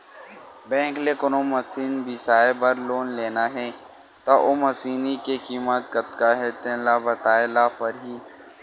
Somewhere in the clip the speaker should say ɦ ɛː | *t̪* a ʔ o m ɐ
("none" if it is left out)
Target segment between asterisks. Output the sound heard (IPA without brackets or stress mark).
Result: t̪